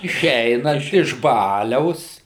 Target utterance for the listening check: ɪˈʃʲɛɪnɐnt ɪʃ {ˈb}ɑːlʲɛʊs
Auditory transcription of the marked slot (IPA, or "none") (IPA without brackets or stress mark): b